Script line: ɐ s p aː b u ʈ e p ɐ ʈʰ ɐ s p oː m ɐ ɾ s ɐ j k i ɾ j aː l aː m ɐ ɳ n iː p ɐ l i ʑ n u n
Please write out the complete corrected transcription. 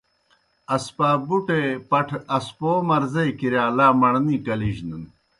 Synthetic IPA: ɐ s p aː b u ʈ e p ɐ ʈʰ ɐ s p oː m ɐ ɾ z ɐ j k i ɾ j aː l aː m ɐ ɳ n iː k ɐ l i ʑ n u n